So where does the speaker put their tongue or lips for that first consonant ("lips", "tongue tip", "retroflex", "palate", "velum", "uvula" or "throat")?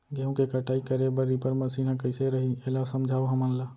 velum